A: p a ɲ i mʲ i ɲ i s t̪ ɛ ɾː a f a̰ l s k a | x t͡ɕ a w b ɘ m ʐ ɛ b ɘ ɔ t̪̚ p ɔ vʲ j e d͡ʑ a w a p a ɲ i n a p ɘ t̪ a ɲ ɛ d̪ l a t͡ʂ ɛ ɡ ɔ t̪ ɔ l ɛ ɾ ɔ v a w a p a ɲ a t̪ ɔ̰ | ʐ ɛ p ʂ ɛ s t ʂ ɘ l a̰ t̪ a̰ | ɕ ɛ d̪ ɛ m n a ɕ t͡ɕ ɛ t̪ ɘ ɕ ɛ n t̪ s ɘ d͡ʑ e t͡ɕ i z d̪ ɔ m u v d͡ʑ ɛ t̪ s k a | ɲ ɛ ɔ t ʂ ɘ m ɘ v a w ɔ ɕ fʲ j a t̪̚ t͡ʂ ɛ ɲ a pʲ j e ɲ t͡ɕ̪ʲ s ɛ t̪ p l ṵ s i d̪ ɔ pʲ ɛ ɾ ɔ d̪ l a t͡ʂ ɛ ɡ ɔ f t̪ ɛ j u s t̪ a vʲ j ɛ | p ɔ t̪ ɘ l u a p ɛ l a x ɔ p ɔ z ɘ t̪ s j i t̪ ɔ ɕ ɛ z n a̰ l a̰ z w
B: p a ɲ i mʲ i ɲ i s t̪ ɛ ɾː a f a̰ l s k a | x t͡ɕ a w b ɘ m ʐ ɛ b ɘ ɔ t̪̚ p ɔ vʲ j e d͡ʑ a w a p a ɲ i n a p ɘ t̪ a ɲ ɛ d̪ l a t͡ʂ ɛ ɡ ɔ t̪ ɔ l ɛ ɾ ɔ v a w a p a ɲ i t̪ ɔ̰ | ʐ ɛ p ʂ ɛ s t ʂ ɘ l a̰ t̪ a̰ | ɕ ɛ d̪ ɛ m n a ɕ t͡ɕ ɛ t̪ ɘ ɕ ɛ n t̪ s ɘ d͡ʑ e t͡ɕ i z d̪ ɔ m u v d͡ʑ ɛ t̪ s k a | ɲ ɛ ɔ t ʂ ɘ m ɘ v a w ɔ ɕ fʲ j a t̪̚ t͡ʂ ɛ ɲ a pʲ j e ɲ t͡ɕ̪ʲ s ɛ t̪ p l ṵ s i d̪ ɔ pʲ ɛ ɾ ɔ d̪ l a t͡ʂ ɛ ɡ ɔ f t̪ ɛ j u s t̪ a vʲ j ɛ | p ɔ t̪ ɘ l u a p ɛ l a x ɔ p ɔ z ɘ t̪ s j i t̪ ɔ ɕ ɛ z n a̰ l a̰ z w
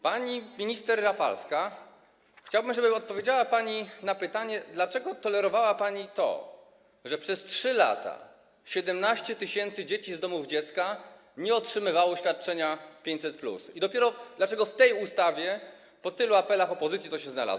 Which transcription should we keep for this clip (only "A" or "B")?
B